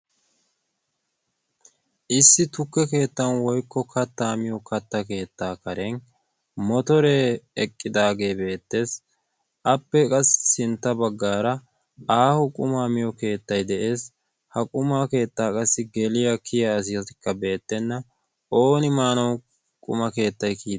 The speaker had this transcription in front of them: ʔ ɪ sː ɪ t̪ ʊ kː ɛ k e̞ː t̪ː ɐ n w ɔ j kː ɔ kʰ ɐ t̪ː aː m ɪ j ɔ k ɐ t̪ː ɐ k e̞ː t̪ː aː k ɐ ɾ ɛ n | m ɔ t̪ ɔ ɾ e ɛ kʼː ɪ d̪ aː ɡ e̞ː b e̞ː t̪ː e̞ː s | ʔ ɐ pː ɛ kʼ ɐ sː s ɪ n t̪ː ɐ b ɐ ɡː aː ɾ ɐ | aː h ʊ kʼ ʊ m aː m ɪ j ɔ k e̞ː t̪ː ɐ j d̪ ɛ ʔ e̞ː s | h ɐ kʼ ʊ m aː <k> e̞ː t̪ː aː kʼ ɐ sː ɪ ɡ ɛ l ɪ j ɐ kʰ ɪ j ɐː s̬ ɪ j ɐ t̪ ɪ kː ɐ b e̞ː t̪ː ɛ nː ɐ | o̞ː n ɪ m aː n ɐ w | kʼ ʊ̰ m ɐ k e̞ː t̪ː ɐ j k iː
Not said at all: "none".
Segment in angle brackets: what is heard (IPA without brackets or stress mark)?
k